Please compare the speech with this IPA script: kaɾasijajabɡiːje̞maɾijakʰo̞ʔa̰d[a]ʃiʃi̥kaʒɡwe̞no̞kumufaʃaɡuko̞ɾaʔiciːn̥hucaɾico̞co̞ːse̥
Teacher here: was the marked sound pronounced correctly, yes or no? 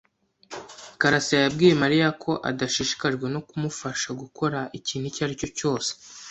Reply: yes